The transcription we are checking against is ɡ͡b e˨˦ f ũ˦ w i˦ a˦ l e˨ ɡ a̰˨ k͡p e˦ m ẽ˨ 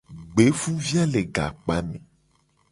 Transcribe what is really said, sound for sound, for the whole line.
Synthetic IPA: ɡ͡b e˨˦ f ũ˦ v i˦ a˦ l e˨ ɡ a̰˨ k͡p a˦ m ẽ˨